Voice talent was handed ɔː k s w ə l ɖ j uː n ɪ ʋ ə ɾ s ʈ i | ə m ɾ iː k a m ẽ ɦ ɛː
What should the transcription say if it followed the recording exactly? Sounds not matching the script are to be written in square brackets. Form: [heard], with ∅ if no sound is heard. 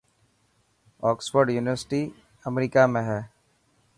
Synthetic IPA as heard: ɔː k s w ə [ɾ] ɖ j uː n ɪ ʋ ə ɾ s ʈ i | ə m ɾ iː k a m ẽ ɦ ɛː